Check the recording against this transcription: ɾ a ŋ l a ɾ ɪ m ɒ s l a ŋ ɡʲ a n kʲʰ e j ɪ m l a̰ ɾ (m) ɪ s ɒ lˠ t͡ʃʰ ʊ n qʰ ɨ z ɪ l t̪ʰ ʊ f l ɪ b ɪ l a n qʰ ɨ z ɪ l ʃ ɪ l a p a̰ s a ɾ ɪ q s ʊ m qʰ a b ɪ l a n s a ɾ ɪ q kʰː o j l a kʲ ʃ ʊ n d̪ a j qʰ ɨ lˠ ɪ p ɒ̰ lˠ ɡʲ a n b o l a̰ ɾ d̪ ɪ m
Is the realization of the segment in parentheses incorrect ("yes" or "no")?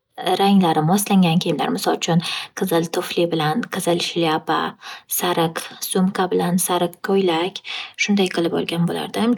no